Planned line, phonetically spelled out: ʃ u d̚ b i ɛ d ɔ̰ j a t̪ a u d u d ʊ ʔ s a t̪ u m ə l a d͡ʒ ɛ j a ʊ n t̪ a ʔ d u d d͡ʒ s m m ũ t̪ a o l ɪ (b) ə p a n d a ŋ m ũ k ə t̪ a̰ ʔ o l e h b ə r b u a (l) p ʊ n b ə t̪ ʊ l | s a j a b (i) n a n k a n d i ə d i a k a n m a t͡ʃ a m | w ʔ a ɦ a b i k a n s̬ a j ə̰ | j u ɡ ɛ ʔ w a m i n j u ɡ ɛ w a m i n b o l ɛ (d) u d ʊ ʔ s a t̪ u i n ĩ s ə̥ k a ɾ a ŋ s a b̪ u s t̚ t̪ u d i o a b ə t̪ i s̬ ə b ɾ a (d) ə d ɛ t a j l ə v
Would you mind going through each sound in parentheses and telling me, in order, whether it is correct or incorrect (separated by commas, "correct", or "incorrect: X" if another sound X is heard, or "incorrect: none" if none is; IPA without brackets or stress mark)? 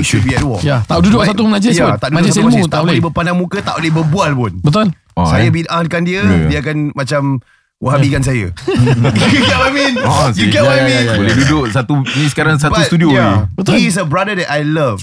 correct, correct, correct, correct, correct